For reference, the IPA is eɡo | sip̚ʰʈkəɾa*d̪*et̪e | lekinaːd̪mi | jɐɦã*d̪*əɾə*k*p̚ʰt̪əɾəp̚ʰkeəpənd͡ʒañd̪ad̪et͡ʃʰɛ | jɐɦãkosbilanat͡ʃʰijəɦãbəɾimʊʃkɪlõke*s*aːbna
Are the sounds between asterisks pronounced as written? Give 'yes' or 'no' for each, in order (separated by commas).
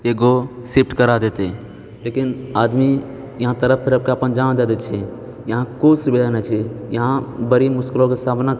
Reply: yes, no, no, yes